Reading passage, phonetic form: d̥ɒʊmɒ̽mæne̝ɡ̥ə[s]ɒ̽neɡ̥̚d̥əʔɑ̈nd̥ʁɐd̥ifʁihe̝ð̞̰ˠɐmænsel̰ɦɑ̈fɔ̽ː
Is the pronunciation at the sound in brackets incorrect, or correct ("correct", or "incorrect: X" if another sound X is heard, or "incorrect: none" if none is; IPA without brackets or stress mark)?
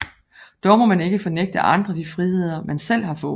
incorrect: f